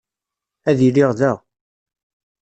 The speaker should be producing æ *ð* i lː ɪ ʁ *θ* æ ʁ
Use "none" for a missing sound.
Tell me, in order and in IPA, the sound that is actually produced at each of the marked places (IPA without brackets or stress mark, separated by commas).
ð, ð